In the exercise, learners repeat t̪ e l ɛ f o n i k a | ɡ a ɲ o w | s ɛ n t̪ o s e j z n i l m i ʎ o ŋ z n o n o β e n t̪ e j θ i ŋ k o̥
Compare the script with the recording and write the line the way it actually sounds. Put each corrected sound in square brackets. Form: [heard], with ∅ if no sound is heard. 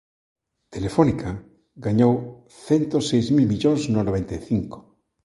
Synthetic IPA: t̪ e l [e] f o n i k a | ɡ a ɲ o w | [θ] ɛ n t̪ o s e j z [m] i l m i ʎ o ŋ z n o n o β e n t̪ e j θ i ŋ k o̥

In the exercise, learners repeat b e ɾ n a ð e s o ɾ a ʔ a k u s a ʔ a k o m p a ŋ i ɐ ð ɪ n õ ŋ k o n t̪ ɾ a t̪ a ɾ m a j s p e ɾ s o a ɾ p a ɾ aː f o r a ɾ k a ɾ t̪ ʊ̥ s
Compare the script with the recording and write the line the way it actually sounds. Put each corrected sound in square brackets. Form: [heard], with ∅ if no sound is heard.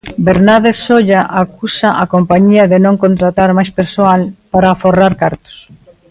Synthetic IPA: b e ɾ n a ð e s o [ʎ] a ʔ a k u s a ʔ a k o m p a [ɲ] i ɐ ð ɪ n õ ŋ k o n t̪ ɾ a t̪ a ɾ m a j s p e ɾ s o a [l] p a ɾ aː f o r a ɾ k a ɾ t̪ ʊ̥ s

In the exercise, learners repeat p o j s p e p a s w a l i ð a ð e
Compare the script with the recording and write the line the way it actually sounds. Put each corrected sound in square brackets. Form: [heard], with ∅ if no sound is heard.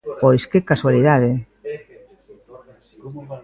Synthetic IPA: p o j s [k] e [k] a s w a l i ð a ð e

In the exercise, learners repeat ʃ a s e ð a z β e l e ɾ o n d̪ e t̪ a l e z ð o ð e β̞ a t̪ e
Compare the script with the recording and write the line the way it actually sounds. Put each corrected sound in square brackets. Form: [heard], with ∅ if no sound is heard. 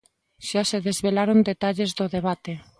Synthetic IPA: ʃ a s e ð [e] z β e l [a] ɾ o n d̪ e t̪ a [ʎ] e z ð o ð e β̞ a t̪ e

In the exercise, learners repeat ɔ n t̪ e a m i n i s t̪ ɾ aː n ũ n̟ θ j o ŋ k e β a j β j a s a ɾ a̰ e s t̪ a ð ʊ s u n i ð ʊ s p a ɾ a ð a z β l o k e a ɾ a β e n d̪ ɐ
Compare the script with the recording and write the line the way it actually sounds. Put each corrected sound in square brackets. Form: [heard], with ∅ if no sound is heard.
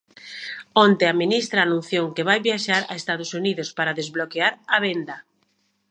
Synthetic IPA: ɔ n t̪ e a m i n i s t̪ ɾ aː n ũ n̟ θ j o ŋ k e β a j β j a [ʃ] a ɾ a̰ e s t̪ a ð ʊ s u n i ð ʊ s p a ɾ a ð [e] z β l o k e a ɾ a β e n d̪ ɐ

